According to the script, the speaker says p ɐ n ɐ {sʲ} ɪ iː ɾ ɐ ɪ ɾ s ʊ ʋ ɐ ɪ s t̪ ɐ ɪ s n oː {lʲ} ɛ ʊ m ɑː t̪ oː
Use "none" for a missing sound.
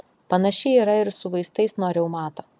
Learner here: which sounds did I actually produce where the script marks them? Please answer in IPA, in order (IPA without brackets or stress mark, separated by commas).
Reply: ʃʲ, ɾʲ